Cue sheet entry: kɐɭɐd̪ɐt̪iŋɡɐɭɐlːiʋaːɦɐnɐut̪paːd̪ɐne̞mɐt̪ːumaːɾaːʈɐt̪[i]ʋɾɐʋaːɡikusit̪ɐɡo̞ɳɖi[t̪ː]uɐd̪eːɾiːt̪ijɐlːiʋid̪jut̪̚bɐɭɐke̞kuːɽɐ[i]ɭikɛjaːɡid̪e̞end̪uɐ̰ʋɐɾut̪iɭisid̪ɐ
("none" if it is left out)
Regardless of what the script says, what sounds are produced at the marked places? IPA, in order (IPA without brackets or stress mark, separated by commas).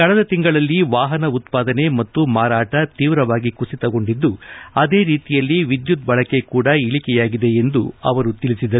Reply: iː, d̪ː, i